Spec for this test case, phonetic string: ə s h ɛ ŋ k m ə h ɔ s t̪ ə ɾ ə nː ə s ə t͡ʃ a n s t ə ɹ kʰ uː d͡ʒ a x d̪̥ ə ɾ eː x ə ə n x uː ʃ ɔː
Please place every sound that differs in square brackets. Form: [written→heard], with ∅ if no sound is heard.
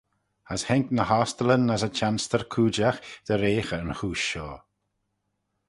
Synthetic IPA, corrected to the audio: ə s h ɛ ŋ k [m→n] ə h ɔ s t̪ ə [ɾ→l] ə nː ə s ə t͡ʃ a n s t ə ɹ kʰ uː d͡ʒ a x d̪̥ ə ɾ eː x ə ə n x uː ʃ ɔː